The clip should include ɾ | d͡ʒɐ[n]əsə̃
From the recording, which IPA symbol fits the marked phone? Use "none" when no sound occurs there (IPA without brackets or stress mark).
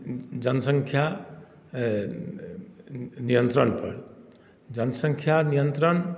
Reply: n